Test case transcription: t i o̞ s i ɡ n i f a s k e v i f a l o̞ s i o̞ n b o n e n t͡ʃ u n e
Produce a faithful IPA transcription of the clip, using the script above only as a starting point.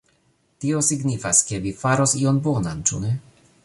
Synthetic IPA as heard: t i o̞ s i ɡ n i f a s k e v i f a ɾ o̞ s i o̞ n b o n a n t͡ʃ u n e